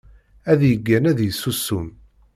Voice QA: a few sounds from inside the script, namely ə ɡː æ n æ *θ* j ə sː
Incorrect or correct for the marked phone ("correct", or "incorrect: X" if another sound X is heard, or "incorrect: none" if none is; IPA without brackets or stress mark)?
incorrect: ð